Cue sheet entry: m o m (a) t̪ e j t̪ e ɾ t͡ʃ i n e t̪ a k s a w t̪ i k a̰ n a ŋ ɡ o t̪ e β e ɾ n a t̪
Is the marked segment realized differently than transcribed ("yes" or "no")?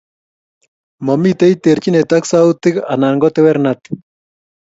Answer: yes